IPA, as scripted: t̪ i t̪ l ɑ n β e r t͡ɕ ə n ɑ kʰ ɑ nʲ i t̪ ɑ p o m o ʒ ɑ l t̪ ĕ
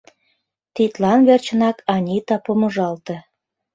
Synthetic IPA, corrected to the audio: t̪ i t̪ l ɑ n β e r t͡ɕ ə n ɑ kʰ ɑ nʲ i t̪ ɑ p o m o ʒ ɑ l t̪ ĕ